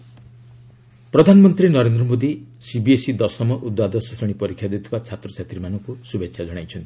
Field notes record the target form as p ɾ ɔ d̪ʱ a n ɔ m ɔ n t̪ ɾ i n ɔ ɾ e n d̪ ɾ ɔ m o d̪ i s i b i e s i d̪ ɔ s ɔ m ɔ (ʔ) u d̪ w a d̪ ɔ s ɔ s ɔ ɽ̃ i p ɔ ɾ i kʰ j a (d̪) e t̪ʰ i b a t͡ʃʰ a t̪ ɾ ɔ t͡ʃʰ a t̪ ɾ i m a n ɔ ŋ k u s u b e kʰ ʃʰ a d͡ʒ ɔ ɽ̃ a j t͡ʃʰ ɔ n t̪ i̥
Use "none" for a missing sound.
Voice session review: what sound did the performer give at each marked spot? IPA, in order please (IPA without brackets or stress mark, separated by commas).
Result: ʔ, d̪